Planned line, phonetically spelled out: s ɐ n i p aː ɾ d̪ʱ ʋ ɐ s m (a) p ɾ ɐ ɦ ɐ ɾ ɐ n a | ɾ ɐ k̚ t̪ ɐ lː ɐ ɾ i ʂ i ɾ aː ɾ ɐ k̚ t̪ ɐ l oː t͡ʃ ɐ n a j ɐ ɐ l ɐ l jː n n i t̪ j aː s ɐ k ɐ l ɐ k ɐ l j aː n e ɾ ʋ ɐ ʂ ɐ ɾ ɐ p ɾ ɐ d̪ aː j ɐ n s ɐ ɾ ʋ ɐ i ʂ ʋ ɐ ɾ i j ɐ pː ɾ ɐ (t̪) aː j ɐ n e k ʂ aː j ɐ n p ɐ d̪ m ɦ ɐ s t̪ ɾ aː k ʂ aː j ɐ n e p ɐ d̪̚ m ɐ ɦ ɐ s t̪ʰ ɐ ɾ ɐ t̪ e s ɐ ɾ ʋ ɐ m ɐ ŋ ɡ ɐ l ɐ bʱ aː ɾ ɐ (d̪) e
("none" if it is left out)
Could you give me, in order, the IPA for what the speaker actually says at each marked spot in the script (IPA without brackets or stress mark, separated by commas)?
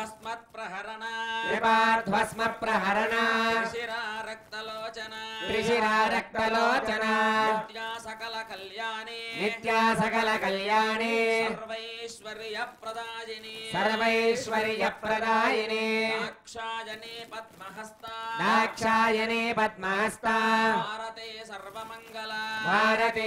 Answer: ɐ, d̪, t̪